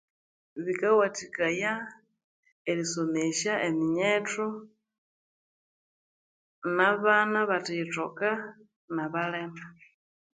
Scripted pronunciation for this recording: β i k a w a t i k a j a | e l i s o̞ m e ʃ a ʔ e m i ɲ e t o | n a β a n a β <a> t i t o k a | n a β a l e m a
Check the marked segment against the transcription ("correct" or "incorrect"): correct